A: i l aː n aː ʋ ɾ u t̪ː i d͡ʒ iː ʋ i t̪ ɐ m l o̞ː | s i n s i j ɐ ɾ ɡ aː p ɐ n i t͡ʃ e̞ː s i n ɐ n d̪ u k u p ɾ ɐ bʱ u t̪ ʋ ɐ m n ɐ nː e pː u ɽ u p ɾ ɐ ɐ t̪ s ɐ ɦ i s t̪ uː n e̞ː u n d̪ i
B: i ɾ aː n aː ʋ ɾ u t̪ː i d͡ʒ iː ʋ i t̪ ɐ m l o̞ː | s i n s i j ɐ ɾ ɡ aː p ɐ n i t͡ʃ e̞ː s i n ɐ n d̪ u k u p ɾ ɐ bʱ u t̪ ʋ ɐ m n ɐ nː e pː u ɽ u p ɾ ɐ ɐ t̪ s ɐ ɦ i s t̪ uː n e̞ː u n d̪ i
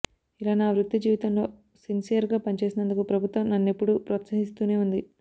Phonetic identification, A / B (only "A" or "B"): A